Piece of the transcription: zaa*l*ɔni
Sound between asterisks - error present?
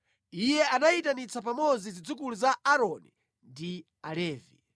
yes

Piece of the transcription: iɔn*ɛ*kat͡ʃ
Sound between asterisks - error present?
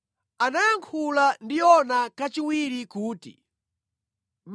yes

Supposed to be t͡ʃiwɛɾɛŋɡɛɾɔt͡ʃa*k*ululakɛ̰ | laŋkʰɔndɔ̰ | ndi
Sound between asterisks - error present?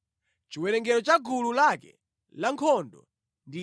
yes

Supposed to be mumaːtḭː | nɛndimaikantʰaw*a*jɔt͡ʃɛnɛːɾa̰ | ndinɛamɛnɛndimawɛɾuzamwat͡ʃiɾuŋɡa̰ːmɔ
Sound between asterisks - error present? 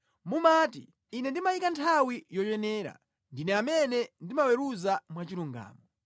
yes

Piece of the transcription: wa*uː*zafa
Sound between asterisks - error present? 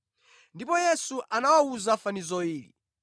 yes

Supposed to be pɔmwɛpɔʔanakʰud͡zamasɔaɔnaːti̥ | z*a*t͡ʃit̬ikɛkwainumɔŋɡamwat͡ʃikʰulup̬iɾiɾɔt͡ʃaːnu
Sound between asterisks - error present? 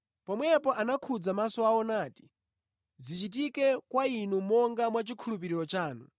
yes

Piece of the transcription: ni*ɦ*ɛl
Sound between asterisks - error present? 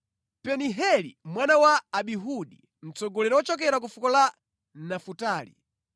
no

